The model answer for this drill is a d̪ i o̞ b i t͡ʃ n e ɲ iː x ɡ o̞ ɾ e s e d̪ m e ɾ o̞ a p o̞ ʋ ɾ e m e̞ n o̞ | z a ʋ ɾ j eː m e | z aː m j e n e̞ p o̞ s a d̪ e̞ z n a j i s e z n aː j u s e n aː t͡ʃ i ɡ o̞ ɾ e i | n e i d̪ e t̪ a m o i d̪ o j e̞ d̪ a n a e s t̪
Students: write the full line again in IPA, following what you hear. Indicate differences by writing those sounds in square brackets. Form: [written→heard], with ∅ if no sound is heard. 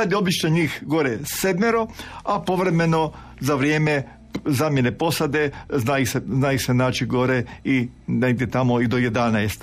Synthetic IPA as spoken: a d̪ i o̞ b i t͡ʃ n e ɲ iː x ɡ o̞ ɾ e s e d̪ m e ɾ o̞ a p o̞ ʋ ɾ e m e̞ n o̞ | z a ʋ ɾ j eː m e | z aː m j e n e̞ p o̞ s a d̪ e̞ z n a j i s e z n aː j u s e n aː t͡ʃ i ɡ o̞ ɾ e i | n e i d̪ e t̪ a m o i d̪ o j e̞ d̪ a n a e s t̪